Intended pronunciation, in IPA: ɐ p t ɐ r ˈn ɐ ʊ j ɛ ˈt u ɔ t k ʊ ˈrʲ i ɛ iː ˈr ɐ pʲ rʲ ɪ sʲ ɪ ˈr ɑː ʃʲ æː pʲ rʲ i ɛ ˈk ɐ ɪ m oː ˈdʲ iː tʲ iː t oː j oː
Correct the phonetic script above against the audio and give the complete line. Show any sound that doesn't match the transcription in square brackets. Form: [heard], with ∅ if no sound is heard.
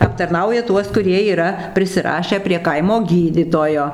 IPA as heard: ɐ p t ɐ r ˈn ɐ ʊ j ɛ ˈt u ɔ [s] k ʊ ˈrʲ i ɛ iː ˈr ɐ pʲ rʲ ɪ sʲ ɪ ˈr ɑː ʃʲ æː pʲ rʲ i ɛ ˈk ɐ ɪ m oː [ˈɡʲ] iː [dʲ] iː t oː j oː